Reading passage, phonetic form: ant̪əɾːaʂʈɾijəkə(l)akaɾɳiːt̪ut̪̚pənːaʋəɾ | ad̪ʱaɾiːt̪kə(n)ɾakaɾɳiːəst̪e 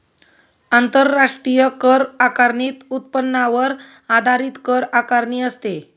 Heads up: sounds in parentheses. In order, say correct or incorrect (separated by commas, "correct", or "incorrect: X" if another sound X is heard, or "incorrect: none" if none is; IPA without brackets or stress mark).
incorrect: ɾ, incorrect: none